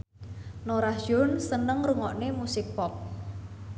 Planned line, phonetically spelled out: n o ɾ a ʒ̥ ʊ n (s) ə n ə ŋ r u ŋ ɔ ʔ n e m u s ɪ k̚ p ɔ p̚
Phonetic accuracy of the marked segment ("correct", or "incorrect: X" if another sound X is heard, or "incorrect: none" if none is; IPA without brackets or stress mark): correct